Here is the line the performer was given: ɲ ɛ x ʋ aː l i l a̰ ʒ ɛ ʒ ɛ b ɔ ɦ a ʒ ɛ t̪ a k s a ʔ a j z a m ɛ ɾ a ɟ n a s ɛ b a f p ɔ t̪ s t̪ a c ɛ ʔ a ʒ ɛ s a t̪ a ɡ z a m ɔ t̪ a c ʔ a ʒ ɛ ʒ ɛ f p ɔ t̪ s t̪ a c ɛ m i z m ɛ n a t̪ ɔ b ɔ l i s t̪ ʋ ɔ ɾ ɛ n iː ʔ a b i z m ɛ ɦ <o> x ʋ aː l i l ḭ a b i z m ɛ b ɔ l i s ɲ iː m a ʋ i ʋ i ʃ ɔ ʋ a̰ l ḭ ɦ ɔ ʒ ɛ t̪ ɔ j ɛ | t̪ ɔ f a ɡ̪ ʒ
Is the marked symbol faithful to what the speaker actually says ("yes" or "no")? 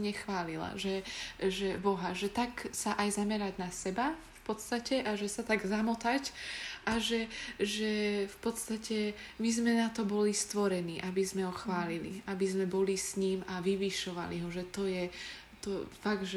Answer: no